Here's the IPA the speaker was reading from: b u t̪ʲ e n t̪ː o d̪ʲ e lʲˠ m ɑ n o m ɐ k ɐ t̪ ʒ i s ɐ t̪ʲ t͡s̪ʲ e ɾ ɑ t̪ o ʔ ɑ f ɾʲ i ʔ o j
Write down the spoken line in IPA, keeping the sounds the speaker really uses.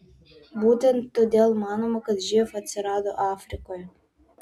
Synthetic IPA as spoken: b u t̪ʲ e n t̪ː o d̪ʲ e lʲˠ m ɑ n o m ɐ k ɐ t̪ ʒ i f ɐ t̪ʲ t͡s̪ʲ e ɾ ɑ d̪ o ʔ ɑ f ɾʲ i k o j